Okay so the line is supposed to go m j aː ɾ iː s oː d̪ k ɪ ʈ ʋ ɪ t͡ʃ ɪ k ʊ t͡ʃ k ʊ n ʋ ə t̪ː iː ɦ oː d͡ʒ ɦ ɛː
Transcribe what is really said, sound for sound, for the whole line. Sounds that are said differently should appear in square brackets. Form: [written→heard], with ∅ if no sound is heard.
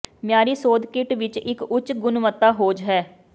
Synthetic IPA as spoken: m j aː ɾ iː s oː d̪ k ɪ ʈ ʋ ɪ t͡ʃ ɪ k ʊ t͡ʃ [k→ɡ] ʊ n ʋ ə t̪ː [iː→aː] ɦ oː d͡ʒ ɦ ɛː